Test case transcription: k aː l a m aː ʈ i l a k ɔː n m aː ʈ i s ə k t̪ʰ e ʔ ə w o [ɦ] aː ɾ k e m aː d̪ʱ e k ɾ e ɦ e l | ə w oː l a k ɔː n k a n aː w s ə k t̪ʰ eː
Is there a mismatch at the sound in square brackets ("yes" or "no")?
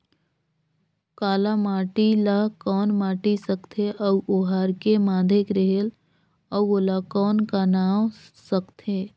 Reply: no